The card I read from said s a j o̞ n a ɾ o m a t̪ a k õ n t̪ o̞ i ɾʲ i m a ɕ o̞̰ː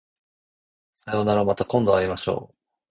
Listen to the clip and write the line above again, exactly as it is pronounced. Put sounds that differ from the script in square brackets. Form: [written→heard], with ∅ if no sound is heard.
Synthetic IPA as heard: s a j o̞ n a ɾ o m a t̪ a k õ n [t̪→d̪] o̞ [i→a] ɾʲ i m a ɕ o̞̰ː